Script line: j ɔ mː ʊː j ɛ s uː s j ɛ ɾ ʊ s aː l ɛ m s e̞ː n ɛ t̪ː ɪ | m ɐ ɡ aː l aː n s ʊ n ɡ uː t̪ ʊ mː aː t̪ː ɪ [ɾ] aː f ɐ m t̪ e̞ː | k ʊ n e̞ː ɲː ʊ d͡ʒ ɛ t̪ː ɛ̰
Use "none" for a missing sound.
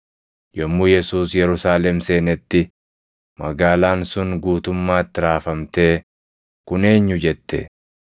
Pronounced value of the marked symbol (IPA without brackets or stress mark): ɾ